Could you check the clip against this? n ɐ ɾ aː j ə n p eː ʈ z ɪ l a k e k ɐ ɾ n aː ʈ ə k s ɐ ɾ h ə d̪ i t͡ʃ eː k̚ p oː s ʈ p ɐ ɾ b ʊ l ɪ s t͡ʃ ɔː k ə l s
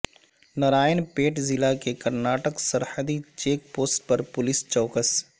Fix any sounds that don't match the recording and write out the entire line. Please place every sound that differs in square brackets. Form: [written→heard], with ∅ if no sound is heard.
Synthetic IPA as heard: n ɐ ɾ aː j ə n p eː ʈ z ɪ l a k e k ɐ ɾ n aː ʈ ə k s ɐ ɾ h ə d̪ i t͡ʃ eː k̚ p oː s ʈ p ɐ ɾ [b→p] ʊ l ɪ s t͡ʃ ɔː k ə [l→∅] s